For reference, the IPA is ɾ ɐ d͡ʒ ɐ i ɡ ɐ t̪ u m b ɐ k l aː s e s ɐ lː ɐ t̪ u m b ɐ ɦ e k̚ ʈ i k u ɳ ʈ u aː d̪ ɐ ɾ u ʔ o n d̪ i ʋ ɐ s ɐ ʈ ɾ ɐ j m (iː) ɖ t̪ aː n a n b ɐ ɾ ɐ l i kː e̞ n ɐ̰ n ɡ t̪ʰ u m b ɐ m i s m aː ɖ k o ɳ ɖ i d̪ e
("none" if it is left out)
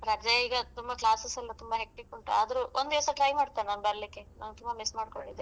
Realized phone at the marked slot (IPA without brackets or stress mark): aː